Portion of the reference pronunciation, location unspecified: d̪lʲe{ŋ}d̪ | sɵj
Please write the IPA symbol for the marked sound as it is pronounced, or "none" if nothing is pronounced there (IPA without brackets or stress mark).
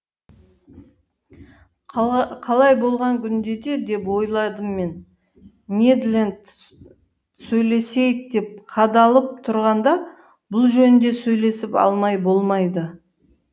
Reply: n